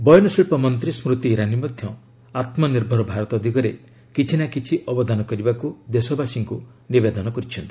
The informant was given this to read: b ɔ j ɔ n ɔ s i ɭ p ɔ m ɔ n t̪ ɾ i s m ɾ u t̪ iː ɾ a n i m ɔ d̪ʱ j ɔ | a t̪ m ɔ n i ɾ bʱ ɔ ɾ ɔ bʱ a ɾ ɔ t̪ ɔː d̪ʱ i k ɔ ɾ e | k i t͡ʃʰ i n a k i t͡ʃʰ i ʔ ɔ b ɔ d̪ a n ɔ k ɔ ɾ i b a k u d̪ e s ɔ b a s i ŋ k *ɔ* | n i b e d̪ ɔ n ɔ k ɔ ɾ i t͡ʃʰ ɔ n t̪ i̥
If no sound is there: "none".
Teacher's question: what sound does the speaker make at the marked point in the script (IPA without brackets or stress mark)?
u